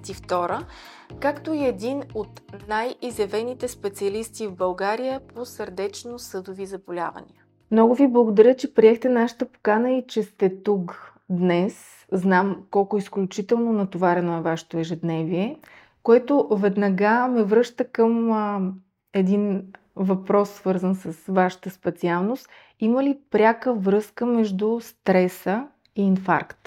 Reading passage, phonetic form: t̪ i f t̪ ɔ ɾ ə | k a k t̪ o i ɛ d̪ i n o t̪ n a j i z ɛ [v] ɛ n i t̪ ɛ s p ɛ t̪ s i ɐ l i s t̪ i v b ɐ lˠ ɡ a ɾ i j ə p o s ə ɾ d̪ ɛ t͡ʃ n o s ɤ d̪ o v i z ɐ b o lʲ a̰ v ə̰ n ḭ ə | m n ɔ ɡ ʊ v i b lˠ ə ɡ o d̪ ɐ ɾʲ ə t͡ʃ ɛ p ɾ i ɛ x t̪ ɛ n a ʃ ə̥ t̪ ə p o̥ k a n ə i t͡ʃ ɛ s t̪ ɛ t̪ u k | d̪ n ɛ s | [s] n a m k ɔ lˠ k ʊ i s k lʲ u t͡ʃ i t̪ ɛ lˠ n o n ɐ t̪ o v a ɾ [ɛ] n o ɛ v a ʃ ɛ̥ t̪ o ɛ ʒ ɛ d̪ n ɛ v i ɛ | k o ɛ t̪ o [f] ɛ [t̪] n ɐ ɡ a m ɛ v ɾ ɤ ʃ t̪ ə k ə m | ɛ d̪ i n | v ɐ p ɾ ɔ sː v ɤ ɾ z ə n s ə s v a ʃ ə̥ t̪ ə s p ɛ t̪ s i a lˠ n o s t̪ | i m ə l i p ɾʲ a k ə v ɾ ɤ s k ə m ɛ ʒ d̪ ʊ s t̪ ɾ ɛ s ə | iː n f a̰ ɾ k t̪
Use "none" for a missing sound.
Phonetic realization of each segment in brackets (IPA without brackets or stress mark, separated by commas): v, z, ɛ, v, d̪